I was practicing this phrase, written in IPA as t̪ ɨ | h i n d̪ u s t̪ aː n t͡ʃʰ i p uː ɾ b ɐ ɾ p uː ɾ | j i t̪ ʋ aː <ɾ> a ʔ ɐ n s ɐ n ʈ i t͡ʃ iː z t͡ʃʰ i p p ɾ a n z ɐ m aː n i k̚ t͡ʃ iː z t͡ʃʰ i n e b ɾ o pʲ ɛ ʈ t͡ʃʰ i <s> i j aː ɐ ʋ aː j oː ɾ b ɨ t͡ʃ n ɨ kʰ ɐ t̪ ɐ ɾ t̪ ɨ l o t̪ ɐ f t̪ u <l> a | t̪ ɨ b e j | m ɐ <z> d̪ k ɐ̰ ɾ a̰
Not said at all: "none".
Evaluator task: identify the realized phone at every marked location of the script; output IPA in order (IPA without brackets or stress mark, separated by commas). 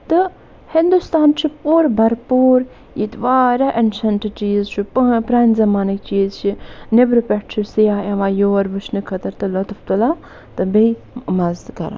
ɾ, s, l, z